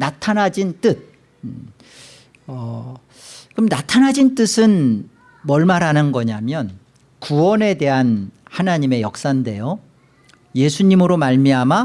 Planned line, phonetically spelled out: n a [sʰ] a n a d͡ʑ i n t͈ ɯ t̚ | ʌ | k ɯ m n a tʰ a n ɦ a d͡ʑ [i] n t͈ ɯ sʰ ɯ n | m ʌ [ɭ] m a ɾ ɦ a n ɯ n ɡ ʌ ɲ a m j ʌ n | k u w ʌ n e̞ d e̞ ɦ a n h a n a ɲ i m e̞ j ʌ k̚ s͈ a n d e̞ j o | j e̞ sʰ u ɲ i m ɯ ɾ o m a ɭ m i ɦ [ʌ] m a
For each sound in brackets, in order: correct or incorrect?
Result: incorrect: tʰ, correct, correct, incorrect: a

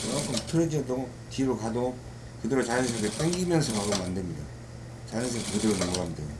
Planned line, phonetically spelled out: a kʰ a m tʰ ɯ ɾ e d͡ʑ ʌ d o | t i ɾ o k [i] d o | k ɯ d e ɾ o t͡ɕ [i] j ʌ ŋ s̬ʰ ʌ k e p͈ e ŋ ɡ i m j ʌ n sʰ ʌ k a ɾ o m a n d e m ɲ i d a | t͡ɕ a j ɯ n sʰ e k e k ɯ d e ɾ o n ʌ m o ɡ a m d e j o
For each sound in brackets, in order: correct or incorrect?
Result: incorrect: a, incorrect: a

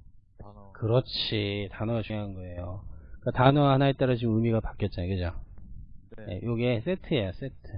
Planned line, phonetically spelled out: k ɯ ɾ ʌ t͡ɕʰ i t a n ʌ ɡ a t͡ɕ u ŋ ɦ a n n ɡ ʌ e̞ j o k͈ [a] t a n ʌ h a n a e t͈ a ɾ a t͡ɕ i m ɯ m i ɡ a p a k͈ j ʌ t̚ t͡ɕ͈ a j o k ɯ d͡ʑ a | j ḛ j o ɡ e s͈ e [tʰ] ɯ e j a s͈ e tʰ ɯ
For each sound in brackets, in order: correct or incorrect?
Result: correct, correct

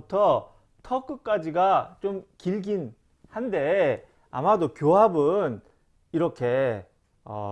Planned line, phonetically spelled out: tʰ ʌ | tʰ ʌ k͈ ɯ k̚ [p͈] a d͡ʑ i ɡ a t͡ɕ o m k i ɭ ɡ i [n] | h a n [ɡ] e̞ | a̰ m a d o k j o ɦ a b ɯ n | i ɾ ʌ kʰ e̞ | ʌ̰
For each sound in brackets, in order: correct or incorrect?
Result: incorrect: k͈, correct, incorrect: d

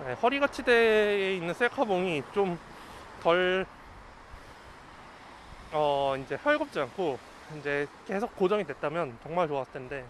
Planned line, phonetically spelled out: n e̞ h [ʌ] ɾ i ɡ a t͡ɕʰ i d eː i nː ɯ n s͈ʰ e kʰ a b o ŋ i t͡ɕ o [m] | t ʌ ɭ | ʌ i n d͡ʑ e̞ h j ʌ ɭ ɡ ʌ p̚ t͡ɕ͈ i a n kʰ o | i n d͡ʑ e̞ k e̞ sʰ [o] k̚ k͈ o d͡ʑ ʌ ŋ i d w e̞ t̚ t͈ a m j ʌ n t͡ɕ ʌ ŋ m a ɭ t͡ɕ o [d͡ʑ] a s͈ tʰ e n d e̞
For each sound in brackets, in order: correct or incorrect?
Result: correct, correct, correct, incorrect: none

